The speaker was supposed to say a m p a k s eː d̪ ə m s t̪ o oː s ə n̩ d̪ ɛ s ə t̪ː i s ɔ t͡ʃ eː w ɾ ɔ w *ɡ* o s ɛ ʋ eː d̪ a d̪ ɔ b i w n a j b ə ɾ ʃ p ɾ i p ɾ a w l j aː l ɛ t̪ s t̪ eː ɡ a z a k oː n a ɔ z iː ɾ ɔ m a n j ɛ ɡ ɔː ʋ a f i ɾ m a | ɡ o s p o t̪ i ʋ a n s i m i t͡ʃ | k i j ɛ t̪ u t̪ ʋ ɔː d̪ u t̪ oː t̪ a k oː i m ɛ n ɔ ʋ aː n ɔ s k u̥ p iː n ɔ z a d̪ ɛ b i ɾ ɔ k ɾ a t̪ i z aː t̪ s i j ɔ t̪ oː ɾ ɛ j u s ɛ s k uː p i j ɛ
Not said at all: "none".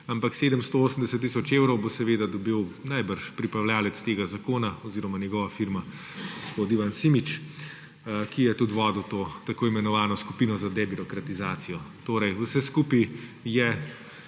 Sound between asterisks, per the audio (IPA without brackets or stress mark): b